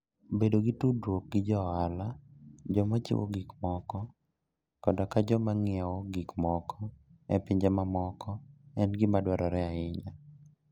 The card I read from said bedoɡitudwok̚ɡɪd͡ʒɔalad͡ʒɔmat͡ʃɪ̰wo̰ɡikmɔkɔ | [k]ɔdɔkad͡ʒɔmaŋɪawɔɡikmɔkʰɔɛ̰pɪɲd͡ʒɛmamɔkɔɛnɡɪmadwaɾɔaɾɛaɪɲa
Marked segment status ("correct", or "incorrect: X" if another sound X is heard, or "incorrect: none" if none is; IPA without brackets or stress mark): correct